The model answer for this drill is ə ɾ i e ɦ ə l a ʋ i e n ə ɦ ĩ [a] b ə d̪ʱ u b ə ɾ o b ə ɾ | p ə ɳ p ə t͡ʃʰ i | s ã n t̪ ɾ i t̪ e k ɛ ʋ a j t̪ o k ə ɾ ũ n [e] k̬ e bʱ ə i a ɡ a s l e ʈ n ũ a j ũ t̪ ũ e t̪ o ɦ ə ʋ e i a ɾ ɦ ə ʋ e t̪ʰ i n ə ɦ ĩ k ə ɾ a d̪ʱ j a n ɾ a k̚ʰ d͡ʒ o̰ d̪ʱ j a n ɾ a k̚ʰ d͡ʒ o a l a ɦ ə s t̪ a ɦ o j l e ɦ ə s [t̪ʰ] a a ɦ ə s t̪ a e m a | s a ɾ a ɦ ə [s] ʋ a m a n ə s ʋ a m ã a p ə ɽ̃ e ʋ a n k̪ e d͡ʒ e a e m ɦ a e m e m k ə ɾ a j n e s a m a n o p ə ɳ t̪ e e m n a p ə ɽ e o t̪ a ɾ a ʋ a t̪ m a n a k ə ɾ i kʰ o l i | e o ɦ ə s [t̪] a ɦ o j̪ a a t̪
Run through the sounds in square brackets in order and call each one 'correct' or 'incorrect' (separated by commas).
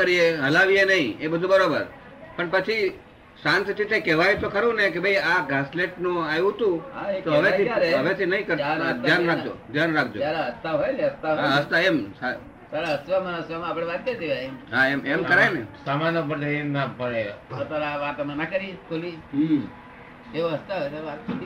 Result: incorrect, correct, incorrect, correct, correct